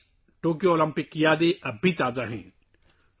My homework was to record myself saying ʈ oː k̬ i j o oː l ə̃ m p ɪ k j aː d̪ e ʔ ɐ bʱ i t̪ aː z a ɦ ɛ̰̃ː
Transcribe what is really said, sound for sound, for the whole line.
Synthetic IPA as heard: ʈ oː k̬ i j o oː l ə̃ m p ɪ k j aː d̪ e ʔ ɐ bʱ i t̪ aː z a ɦ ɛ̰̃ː